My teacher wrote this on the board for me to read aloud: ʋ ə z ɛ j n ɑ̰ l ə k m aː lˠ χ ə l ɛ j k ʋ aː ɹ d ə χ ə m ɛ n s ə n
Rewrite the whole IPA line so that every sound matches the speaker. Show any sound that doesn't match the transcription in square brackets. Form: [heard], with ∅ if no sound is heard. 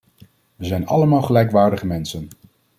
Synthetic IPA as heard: ʋ ə z ɛ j n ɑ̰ l ə [∅] m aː lˠ χ ə l ɛ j k ʋ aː ɹ d ə χ ə m ɛ n s ə n